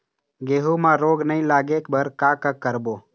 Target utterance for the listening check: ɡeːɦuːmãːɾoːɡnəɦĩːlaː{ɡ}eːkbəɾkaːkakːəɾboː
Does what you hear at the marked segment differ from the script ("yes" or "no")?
no